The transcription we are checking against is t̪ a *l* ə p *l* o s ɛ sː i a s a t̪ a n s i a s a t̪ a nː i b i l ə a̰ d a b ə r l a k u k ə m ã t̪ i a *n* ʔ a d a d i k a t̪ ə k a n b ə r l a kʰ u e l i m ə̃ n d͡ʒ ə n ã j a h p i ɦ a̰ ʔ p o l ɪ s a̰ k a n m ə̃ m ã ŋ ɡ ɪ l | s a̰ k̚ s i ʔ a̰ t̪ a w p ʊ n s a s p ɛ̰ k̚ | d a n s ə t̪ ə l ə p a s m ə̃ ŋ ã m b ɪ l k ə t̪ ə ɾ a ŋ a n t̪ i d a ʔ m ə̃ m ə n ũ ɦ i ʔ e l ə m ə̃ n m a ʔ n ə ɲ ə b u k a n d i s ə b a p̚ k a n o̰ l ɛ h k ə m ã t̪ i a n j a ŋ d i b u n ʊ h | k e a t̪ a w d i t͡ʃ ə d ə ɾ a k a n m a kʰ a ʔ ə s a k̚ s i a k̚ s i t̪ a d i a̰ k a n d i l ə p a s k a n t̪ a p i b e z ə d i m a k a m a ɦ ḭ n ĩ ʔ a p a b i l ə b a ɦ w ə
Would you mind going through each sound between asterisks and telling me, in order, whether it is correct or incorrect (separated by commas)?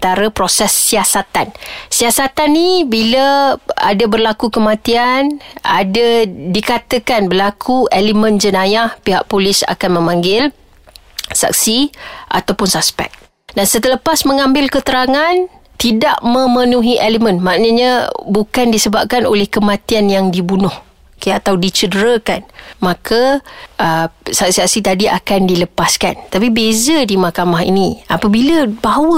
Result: incorrect, incorrect, correct